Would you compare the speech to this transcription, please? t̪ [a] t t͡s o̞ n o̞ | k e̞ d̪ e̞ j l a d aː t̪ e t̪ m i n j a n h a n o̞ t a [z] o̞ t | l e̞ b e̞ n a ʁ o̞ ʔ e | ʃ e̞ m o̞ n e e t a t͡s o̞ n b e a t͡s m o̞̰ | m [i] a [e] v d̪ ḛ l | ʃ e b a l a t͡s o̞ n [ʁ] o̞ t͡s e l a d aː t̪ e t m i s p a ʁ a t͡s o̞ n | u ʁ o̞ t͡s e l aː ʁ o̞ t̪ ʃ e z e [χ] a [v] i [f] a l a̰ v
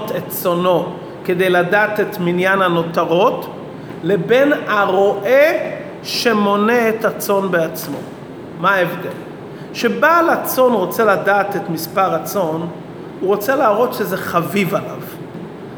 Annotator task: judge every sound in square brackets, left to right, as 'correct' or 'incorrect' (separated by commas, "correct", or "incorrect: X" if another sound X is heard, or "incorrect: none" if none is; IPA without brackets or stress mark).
incorrect: e, incorrect: ʁ, incorrect: a, correct, correct, correct, correct, incorrect: v